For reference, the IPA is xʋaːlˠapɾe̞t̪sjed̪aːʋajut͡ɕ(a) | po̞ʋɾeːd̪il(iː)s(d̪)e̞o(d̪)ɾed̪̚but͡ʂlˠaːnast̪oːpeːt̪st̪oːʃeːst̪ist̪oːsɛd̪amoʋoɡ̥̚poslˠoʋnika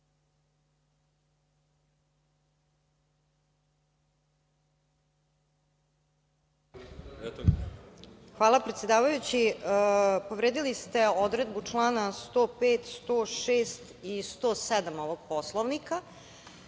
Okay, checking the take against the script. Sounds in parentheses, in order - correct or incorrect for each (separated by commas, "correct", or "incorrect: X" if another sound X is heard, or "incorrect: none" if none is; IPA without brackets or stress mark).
incorrect: i, incorrect: i, incorrect: t̪, correct